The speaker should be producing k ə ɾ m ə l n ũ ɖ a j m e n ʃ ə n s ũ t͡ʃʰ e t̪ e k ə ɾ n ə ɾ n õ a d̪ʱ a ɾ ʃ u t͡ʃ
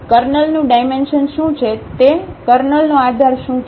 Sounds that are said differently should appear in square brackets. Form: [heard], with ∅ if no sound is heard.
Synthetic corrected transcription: k ə ɾ [n] ə l n ũ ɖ a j m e n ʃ ə n [ʃ] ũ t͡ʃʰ e t̪ e k ə ɾ n ə [l] n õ a d̪ʱ a ɾ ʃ [ũ] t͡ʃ